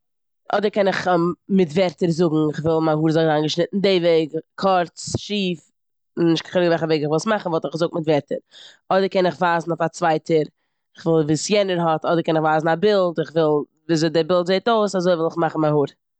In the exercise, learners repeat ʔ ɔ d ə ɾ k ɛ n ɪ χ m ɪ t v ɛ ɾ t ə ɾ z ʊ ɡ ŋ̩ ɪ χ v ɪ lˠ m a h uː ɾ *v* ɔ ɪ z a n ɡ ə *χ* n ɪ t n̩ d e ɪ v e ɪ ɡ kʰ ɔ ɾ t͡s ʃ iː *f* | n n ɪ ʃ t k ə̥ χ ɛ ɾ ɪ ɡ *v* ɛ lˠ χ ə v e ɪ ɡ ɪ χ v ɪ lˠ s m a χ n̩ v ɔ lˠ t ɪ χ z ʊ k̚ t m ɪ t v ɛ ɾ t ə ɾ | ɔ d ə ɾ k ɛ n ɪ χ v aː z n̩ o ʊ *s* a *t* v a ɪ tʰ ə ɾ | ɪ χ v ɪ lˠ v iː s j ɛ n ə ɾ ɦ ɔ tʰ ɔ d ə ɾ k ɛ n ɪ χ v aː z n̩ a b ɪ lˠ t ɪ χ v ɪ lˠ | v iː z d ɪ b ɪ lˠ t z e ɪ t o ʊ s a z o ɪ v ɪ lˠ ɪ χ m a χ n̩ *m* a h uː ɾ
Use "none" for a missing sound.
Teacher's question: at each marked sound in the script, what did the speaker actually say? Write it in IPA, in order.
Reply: z, ʃ, f, v, f, t͡s, m

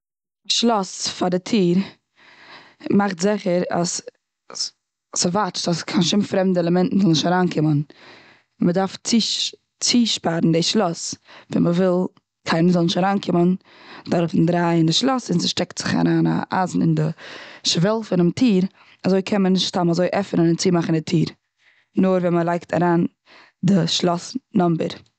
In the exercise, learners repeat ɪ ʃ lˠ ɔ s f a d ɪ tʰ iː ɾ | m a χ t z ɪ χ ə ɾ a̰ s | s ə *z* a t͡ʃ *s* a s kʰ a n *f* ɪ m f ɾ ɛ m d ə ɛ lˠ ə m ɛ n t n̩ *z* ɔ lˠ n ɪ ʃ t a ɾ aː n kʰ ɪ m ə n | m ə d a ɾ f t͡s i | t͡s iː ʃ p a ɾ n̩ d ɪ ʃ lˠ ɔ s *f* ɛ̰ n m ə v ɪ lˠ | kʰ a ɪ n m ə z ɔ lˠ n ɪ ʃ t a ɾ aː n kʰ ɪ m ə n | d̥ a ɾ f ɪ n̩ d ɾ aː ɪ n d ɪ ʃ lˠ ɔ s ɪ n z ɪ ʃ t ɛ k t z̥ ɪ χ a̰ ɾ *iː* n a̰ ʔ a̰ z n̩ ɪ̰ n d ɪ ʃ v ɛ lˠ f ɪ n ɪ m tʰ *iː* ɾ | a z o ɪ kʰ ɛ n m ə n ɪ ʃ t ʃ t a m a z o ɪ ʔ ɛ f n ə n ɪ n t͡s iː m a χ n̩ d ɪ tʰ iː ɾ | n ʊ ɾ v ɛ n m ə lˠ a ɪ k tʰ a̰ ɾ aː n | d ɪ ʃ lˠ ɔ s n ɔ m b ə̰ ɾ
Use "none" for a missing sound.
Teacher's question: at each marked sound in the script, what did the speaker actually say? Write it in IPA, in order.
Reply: v, t, ʃ, z, v, aː, iː

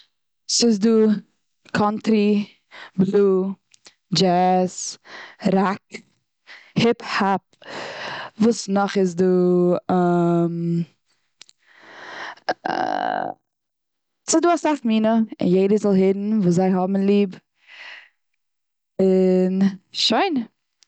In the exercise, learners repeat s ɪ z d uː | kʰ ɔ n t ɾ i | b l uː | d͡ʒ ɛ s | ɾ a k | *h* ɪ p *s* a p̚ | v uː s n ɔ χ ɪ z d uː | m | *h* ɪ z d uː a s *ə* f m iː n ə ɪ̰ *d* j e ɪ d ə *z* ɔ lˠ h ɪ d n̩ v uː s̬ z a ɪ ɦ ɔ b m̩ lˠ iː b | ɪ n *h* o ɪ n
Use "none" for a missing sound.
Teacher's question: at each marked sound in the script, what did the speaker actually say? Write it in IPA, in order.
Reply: h, h, s, a, n, z, ʃ

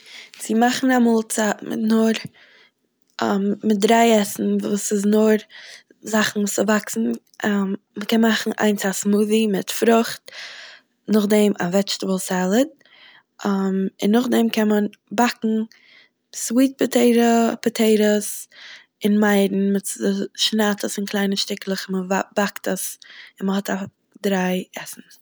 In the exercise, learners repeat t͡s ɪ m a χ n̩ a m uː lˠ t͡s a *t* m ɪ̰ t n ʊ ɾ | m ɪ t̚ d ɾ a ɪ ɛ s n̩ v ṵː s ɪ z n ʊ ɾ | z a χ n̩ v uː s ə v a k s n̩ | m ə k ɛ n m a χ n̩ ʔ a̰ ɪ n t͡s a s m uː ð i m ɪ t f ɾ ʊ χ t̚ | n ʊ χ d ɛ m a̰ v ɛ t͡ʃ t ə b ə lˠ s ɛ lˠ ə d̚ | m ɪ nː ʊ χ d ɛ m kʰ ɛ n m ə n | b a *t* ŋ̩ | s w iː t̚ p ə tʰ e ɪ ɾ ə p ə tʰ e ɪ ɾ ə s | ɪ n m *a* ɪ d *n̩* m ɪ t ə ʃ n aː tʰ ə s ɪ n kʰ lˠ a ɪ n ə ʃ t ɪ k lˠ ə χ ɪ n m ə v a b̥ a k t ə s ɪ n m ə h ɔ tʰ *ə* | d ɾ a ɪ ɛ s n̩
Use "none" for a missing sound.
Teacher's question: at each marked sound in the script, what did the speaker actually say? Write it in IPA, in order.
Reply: t, k, a, n̩, a

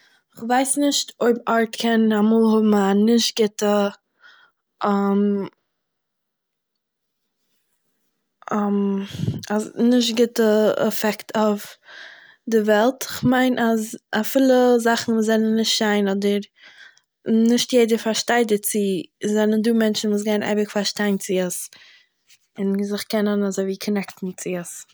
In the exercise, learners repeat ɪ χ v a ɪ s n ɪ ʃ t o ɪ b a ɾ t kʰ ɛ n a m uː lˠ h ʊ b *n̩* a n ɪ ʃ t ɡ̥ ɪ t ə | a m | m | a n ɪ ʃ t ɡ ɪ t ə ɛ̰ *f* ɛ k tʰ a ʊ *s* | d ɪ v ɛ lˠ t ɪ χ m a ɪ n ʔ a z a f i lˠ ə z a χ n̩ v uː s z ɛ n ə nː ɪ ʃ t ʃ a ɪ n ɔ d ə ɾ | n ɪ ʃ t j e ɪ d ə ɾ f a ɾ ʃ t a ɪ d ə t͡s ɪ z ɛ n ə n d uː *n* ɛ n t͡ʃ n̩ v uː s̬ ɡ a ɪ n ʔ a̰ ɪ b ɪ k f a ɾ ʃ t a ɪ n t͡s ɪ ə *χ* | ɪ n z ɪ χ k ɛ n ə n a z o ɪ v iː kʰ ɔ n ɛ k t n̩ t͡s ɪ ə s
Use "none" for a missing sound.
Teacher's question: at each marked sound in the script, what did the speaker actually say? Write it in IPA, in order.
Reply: m̩, f, f, m, s

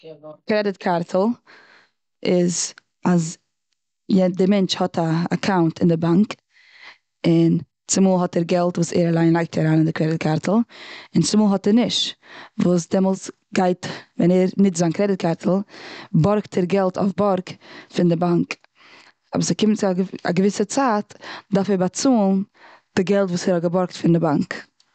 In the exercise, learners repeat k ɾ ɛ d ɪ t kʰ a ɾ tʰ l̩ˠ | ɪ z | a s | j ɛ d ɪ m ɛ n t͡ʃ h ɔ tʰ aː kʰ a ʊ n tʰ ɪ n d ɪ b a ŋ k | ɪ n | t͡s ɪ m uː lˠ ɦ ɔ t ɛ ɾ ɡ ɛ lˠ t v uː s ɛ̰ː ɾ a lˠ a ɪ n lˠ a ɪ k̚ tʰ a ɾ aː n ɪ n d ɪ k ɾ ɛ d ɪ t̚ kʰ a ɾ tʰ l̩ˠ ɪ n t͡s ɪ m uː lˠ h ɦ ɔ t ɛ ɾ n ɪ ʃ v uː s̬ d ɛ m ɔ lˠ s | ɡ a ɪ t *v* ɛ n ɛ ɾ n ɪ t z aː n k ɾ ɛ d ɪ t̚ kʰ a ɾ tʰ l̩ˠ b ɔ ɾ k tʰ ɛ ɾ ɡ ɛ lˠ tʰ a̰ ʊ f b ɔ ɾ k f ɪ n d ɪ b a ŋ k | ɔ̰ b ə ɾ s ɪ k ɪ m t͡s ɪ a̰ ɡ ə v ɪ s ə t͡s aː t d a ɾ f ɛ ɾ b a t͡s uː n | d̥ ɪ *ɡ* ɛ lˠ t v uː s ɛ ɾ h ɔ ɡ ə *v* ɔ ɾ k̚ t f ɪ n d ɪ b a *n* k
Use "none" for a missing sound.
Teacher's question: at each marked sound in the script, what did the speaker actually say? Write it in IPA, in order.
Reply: v, ɡ, b, ŋ

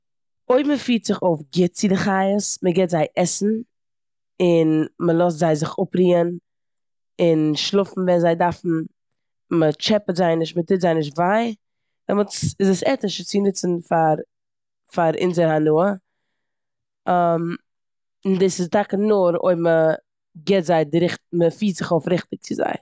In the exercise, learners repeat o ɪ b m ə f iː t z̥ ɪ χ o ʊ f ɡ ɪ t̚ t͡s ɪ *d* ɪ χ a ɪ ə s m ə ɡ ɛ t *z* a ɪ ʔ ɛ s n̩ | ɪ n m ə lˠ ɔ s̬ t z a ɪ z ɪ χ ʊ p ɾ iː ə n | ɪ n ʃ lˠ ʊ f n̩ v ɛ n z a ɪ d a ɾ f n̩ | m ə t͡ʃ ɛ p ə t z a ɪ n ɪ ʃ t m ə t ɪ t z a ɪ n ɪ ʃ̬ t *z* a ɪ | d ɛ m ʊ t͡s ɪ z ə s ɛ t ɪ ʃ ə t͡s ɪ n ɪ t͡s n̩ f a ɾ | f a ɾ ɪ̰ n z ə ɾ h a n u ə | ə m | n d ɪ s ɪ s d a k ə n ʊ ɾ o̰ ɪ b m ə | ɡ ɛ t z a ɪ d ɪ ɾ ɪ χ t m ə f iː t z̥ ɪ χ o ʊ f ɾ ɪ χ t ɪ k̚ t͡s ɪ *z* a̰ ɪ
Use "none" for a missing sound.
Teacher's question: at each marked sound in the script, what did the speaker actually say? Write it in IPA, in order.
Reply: d, z, v, z

